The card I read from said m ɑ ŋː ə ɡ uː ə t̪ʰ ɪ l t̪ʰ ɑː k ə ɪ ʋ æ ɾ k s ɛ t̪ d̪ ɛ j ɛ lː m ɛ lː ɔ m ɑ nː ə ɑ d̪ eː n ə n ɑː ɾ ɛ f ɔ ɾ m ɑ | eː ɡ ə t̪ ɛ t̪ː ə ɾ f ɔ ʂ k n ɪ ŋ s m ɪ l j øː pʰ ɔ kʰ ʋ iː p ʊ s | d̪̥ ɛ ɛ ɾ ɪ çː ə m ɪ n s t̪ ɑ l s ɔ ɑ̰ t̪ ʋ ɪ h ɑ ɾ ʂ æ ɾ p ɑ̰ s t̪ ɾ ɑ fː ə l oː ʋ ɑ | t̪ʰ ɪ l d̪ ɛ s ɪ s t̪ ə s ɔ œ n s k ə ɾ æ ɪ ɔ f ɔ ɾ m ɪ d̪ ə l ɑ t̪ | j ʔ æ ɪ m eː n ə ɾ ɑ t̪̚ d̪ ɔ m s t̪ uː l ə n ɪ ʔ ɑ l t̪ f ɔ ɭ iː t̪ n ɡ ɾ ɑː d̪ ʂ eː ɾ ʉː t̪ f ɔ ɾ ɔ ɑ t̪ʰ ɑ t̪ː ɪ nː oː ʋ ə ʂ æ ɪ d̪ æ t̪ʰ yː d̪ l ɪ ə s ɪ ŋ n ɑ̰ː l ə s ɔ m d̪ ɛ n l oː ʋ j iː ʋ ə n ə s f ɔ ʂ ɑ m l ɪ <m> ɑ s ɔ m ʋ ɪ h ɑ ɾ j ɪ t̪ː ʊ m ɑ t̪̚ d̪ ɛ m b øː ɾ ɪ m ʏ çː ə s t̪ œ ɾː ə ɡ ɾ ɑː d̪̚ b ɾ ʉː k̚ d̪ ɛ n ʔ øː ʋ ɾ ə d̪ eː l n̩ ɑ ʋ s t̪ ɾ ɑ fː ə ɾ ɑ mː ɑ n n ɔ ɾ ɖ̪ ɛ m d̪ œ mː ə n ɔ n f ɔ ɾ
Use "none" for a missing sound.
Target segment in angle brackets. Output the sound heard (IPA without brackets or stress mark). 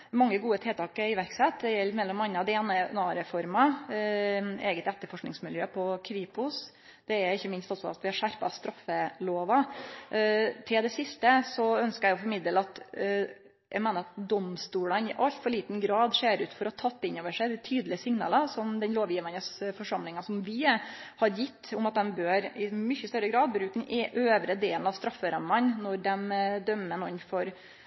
ŋ